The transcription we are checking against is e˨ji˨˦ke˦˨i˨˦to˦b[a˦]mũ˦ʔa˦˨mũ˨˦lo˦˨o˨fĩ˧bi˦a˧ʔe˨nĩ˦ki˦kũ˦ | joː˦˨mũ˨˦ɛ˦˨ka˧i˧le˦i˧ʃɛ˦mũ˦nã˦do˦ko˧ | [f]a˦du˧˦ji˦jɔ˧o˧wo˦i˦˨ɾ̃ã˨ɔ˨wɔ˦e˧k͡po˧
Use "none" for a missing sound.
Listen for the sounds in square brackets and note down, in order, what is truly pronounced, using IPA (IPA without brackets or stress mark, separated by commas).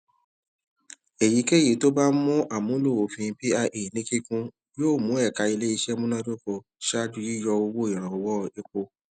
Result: a˦, ʃ